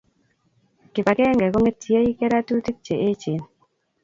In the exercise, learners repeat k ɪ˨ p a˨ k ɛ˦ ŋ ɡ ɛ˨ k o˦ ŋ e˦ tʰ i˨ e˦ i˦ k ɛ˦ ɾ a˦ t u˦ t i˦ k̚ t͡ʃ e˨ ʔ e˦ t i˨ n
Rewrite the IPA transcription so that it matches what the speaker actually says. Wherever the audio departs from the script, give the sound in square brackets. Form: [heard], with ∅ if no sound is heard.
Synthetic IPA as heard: k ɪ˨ p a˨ k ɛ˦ ŋ ɡ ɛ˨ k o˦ ŋ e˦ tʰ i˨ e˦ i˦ k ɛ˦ ɾ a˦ t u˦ t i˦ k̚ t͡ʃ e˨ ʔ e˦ [t͡ʃ] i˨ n